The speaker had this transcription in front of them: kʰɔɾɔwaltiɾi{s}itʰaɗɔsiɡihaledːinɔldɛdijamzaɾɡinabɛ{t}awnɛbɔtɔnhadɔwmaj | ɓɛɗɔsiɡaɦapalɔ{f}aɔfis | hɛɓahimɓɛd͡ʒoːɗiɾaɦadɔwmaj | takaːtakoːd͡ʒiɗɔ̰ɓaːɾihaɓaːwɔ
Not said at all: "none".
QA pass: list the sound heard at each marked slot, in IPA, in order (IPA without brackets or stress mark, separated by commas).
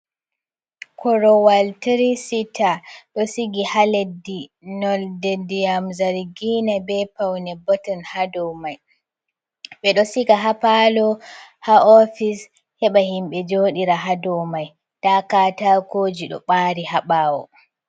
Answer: s, p, h